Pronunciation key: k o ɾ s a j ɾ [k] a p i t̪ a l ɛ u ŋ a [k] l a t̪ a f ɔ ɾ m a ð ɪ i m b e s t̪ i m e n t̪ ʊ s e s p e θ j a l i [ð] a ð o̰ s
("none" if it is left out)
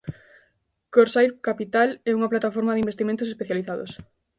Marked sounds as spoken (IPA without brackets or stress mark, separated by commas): k, p, θ